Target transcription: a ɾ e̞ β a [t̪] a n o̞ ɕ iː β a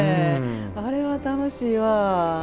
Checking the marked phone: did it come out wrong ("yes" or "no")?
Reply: no